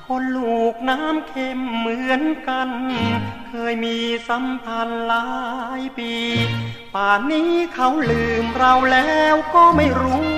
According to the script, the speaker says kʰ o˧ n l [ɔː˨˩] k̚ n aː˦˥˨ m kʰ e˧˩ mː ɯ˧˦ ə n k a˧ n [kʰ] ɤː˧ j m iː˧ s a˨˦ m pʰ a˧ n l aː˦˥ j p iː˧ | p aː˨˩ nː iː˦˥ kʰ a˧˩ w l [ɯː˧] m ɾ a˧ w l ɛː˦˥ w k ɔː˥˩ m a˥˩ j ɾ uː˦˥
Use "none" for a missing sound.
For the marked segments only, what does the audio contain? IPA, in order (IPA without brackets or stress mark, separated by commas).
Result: uː˨˩, kʰ, ɯː˨˩